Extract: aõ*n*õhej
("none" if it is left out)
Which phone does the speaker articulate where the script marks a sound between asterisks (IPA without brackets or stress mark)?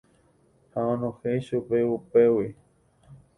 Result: n